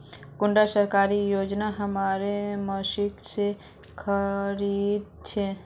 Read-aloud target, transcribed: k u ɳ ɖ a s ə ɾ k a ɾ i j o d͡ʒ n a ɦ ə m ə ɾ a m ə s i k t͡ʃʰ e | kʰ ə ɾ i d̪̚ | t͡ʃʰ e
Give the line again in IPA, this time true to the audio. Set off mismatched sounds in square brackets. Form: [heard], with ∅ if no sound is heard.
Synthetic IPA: k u ɳ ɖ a s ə ɾ k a ɾ i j o d͡ʒ n a ɦ ə m [a] ɾ [e] m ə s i k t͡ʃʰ e | kʰ ə ɾ i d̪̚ | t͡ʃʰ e